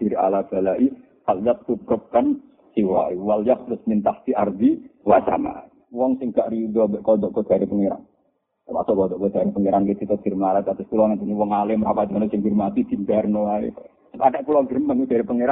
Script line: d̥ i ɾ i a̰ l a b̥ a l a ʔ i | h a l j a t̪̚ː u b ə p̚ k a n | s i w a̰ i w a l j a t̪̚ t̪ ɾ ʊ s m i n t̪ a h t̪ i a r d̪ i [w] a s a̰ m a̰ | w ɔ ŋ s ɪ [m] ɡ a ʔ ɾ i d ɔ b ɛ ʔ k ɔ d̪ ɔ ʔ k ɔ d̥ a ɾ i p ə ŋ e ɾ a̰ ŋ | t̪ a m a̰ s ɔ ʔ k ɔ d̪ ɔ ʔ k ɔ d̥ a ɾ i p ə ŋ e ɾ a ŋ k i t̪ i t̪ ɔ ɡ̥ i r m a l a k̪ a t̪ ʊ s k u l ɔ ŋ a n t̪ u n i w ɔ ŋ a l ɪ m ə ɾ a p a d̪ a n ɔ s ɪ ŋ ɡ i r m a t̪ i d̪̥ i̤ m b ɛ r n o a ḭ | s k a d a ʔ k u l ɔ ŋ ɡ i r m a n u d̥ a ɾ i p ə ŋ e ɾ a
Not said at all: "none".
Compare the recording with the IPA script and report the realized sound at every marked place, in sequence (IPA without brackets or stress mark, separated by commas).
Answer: w, ŋ